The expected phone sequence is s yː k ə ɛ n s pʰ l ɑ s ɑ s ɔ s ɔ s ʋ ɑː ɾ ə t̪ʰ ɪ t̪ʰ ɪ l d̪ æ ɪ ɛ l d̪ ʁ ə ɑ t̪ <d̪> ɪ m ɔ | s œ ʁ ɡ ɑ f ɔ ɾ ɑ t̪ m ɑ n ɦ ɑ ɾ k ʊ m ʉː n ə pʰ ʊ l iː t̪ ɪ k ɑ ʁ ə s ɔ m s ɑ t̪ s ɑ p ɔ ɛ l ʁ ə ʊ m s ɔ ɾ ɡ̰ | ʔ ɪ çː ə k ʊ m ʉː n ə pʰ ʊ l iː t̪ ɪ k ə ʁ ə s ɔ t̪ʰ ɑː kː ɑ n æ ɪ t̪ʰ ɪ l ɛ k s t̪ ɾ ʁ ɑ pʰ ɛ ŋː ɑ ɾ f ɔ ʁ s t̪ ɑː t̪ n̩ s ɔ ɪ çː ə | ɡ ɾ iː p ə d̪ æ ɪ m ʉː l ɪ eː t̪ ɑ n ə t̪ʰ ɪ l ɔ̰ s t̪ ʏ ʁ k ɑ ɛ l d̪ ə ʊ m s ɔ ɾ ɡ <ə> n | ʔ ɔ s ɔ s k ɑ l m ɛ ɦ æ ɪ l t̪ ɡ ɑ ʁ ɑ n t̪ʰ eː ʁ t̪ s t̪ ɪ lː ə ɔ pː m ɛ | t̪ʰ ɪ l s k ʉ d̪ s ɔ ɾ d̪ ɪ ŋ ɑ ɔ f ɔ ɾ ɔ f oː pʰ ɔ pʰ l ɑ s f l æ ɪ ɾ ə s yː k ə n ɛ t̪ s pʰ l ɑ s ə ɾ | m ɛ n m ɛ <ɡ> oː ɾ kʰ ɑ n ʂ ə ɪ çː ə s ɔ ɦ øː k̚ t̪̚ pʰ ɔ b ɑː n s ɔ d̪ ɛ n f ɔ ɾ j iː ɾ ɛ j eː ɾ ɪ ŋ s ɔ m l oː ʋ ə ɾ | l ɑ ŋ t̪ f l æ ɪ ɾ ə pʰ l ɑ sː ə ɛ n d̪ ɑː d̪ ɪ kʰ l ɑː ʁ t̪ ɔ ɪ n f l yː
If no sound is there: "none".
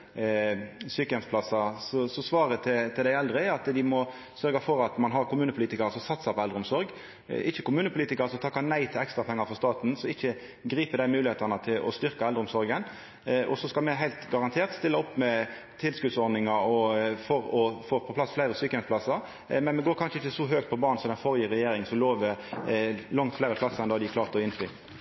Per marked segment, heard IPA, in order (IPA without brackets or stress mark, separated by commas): d̪, ə, ɡ